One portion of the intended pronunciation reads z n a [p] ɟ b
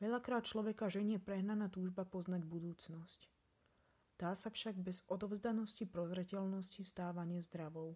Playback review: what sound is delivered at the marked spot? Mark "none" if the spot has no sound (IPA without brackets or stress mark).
none